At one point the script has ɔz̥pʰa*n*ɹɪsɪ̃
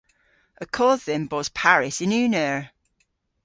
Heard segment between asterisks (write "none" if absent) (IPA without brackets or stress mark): none